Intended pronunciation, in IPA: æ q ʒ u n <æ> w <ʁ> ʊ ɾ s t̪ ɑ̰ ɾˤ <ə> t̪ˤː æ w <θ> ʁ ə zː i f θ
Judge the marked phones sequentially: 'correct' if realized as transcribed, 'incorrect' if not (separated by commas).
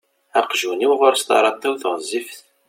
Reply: incorrect, correct, incorrect, correct